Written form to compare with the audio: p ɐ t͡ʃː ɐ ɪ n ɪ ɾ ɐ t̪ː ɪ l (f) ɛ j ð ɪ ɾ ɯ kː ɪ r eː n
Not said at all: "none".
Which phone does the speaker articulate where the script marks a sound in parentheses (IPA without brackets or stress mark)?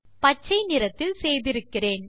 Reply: s